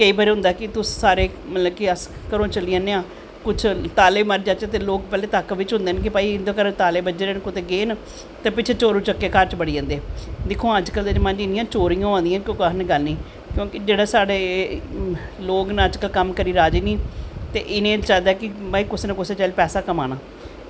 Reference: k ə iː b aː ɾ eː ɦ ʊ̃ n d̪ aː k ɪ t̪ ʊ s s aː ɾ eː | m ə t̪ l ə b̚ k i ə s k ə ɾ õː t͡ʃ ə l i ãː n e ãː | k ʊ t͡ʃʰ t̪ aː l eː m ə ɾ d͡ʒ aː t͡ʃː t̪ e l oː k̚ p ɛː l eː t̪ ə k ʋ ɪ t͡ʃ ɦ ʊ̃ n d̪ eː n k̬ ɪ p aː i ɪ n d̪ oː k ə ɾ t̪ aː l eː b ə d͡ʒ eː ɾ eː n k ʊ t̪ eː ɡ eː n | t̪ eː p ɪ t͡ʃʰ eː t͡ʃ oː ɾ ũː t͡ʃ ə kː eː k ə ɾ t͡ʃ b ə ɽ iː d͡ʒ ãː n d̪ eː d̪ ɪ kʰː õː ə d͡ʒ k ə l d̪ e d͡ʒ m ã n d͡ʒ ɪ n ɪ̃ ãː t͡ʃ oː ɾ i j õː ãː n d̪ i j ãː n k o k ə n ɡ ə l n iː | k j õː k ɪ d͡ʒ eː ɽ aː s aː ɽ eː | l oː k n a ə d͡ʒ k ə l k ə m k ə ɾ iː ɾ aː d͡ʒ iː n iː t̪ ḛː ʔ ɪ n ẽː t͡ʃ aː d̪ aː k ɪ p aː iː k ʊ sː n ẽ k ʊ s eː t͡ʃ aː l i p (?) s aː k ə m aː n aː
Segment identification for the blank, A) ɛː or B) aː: A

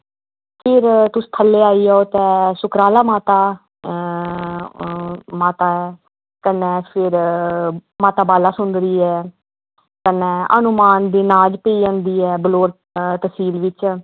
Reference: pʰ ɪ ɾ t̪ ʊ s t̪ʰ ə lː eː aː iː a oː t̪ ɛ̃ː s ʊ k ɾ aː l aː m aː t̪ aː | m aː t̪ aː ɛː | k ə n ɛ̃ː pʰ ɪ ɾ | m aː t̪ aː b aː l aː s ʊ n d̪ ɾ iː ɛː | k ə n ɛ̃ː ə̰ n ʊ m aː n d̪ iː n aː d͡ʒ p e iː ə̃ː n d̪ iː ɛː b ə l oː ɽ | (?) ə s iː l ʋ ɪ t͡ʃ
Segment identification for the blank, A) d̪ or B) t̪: B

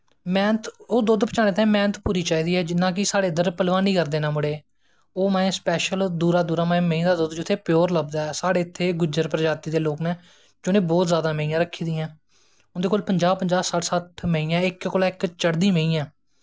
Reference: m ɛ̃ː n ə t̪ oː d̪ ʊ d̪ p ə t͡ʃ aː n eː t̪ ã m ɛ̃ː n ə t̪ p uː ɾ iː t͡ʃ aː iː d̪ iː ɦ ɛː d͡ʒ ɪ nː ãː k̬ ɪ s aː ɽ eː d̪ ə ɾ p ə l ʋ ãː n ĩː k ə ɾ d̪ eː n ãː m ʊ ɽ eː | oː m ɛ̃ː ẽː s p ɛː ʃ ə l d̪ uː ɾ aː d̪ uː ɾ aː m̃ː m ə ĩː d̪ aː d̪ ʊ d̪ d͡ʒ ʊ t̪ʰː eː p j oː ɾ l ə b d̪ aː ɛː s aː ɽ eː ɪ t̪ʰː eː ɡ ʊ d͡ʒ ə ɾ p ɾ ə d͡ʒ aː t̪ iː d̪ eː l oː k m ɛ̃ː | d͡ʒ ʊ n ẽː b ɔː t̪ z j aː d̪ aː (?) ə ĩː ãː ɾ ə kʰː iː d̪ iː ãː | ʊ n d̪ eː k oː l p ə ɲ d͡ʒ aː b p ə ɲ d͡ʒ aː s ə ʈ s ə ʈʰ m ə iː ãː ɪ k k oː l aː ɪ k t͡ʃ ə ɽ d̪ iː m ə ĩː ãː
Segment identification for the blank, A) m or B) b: A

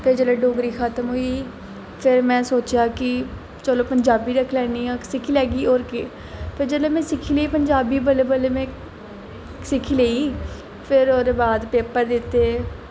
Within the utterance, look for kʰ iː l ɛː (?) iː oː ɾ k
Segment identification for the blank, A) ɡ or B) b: A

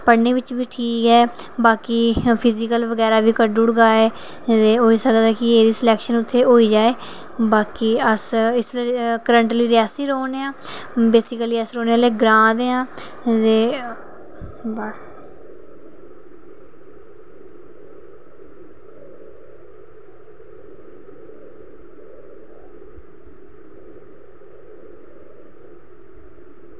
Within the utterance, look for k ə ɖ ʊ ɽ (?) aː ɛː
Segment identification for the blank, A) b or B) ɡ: B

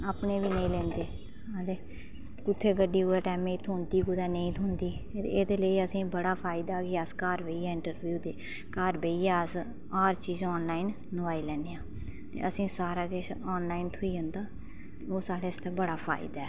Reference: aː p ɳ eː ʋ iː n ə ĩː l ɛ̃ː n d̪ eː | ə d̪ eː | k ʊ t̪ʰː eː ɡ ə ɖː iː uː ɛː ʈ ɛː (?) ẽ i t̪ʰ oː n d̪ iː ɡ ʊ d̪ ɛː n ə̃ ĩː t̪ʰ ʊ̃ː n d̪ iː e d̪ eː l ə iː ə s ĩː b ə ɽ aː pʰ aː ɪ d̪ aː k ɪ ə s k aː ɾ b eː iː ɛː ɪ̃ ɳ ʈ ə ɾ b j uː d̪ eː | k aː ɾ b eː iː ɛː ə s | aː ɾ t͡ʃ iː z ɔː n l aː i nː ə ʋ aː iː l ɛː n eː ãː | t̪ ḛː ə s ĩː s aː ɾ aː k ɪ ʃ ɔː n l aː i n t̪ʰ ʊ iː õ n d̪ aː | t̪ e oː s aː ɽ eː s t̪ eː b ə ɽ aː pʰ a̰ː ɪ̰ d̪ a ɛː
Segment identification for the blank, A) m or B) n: A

